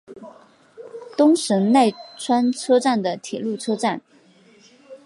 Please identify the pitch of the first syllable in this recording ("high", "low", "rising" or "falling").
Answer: high